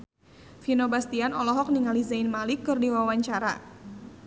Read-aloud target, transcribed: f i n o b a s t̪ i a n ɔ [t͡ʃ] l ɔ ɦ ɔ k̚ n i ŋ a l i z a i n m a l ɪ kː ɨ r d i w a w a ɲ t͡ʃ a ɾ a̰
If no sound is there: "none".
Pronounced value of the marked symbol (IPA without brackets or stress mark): none